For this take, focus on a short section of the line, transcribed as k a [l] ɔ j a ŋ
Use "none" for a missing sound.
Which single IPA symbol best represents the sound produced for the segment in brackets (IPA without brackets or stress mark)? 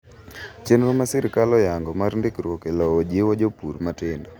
l